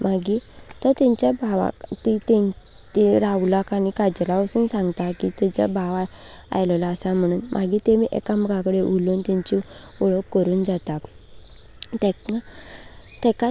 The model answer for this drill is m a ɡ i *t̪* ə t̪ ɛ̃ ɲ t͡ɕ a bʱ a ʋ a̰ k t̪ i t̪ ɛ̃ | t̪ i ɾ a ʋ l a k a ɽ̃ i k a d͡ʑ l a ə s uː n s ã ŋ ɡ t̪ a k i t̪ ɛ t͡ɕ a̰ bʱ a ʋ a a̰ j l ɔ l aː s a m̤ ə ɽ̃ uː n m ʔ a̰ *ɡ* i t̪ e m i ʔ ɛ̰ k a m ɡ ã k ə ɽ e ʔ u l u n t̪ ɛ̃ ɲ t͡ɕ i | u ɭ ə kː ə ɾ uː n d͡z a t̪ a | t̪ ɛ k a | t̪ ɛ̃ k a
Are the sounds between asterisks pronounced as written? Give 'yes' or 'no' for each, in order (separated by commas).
yes, yes